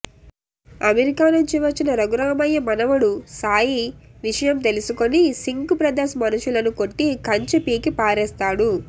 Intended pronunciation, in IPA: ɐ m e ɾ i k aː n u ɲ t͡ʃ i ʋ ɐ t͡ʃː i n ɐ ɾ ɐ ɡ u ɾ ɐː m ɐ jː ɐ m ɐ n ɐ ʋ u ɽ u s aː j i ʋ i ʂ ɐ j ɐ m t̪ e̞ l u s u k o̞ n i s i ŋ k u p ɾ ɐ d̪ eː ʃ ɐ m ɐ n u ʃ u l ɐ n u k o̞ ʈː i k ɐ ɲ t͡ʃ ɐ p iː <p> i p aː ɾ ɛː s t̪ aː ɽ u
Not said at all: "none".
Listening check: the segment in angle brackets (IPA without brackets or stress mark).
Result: k